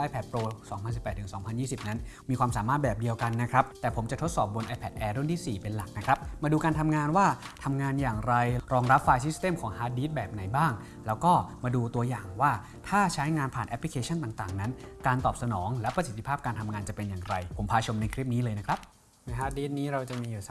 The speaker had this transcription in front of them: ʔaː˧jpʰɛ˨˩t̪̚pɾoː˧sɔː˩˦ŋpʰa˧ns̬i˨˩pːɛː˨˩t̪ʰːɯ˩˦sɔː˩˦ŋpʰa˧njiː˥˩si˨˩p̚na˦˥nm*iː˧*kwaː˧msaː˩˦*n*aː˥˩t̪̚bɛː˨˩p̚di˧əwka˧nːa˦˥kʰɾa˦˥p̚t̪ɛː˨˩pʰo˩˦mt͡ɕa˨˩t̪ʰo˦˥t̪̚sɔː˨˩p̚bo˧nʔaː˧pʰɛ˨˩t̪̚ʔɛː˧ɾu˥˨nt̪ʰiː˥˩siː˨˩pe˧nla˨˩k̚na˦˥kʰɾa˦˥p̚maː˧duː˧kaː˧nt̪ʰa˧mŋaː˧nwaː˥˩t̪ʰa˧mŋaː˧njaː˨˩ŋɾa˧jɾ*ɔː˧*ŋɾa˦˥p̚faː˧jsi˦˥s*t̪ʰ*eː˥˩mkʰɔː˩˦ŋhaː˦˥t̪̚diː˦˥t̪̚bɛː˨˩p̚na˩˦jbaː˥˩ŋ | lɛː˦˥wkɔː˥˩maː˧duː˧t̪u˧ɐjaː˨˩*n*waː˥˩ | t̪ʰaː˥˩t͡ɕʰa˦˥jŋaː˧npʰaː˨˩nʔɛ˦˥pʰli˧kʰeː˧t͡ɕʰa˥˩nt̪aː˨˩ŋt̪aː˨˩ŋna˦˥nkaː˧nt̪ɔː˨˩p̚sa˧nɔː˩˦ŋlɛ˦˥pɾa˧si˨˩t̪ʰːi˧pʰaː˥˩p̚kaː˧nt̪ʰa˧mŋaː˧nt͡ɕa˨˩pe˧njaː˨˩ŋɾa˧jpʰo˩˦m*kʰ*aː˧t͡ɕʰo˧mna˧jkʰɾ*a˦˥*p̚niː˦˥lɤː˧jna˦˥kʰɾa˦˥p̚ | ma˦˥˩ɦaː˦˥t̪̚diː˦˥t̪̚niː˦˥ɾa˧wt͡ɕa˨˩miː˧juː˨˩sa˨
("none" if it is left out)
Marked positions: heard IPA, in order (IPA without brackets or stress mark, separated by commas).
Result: iː˧, m, ɔː˧, t̪, ŋ, pʰ, i˦˥